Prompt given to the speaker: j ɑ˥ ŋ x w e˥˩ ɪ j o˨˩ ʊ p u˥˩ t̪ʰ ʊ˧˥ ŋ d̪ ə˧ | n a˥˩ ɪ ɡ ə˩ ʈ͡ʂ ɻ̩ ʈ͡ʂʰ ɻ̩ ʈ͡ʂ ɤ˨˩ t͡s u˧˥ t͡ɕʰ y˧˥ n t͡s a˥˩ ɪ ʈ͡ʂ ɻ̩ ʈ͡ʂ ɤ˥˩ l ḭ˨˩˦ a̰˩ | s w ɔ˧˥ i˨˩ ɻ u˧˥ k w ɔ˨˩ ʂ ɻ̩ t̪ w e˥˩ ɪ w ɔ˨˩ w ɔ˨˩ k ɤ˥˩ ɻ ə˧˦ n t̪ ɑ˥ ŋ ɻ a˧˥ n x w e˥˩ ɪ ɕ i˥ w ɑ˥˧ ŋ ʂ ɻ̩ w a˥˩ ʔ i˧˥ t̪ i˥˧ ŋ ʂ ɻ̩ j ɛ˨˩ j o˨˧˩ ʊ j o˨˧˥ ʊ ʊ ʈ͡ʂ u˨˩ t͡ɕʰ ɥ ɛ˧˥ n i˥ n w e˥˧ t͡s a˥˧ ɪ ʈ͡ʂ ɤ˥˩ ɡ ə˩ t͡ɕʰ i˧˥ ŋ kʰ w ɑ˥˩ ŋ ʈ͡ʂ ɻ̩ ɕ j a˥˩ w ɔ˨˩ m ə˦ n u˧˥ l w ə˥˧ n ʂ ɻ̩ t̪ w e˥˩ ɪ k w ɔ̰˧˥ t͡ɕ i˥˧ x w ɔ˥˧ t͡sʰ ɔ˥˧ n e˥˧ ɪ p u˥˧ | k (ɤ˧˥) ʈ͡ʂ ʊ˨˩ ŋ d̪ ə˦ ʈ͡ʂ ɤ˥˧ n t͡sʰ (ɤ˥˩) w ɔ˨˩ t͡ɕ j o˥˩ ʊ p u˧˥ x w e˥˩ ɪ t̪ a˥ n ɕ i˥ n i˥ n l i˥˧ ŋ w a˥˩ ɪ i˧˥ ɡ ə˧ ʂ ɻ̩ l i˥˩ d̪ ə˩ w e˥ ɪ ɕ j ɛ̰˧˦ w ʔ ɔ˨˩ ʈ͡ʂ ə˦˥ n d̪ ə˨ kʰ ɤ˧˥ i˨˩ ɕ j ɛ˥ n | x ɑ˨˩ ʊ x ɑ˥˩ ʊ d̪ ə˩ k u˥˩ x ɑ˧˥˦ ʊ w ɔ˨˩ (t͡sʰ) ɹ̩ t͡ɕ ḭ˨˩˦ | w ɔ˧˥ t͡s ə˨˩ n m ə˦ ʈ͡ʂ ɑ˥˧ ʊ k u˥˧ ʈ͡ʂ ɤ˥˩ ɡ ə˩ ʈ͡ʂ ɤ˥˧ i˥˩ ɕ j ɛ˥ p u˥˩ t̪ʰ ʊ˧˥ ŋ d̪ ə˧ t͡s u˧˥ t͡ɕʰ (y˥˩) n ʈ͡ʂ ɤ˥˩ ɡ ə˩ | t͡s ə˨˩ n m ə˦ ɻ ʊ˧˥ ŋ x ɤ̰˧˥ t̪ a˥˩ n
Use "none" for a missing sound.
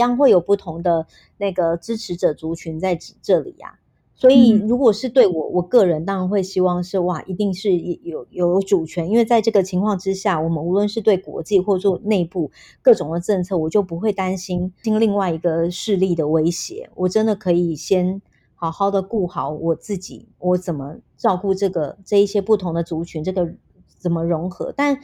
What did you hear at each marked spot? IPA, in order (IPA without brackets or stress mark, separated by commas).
ɤ˥˩, ɤ˥˩, t͡s, y˧˥